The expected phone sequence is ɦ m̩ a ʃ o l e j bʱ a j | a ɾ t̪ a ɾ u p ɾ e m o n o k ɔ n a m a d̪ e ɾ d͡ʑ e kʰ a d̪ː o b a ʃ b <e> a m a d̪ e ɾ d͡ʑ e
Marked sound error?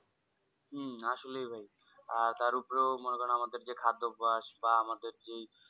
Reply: yes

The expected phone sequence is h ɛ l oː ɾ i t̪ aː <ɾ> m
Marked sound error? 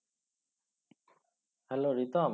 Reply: yes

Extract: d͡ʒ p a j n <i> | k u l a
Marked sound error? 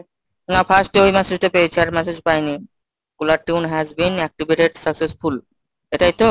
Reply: no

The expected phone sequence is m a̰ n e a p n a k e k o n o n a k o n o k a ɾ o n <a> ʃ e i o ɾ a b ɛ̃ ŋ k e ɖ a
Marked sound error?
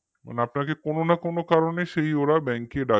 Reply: yes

